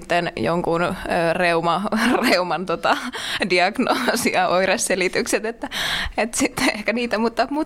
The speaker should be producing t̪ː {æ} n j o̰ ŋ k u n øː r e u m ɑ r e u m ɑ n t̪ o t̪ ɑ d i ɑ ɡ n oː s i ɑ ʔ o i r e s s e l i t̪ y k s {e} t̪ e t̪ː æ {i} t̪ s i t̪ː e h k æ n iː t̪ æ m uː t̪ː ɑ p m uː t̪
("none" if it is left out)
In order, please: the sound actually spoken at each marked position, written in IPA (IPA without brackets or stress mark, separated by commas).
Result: e, e, e